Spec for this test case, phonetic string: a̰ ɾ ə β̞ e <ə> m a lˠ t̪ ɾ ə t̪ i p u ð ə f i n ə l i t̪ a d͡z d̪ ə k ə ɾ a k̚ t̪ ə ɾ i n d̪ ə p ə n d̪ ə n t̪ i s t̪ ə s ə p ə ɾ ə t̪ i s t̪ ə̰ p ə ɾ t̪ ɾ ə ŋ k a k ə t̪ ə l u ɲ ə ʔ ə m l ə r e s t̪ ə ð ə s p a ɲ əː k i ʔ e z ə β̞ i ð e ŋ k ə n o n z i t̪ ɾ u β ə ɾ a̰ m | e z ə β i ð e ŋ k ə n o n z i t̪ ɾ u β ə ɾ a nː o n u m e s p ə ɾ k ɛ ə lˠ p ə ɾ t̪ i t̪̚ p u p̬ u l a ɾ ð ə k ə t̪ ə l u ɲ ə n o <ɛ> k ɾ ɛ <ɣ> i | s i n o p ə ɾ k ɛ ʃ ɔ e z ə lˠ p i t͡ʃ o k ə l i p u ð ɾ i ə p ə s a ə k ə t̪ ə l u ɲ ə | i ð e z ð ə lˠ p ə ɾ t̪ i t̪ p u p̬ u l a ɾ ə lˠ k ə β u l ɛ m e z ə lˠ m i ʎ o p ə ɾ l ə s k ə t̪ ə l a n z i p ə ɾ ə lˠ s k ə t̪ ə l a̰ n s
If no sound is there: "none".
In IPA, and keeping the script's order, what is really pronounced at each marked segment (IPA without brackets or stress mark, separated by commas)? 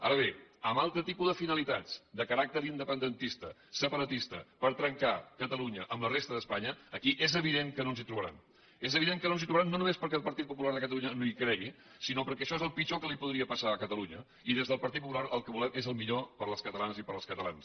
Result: ə, i, ɣ